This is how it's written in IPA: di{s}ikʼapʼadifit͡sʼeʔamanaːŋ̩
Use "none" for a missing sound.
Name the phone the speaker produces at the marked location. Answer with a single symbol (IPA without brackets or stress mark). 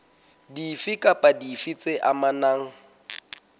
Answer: f